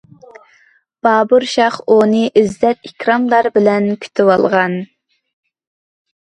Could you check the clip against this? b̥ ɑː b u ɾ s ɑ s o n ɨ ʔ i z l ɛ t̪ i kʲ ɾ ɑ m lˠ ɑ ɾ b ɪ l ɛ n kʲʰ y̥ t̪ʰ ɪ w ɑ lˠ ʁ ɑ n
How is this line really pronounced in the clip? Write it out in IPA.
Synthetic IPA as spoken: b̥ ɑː b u ɾ ʃ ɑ χ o n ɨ ʔ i z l ɛ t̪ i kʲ ɾ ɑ m lˠ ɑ ɾ b ɪ l ɛ n kʲʰ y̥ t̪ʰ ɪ w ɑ lˠ ʁ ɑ n